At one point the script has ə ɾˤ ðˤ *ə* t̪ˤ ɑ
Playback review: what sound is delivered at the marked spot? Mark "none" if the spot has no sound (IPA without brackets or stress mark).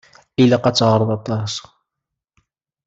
ɑ